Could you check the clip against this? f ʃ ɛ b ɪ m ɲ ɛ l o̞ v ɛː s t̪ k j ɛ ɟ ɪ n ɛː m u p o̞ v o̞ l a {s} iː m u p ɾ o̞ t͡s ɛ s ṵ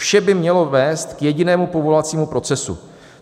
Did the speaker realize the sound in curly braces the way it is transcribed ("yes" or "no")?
no